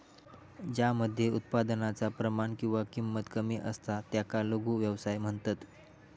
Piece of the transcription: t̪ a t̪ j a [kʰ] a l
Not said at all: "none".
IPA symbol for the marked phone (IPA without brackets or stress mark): k